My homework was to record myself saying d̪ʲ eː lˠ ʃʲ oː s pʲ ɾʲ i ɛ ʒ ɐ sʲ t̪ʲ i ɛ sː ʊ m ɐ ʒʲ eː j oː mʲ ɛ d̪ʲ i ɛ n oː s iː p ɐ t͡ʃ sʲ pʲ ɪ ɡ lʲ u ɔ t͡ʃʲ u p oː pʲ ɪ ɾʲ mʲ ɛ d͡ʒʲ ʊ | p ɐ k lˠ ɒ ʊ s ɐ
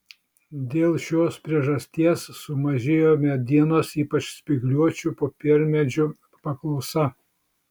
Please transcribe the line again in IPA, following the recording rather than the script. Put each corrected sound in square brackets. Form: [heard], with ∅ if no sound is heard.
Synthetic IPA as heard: d̪ʲ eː lˠ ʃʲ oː s pʲ ɾʲ i ɛ ʒ ɐ sʲ t̪ʲ i ɛ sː ʊ m ɐ ʒʲ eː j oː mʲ ɛ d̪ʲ i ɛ n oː s iː p ɐ t͡ʃ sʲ pʲ ɪ ɡ lʲ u ɔ t͡ʃʲ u p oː pʲ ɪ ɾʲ mʲ ɛ d͡ʒʲ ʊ | p ɐ k lˠ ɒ ʊ s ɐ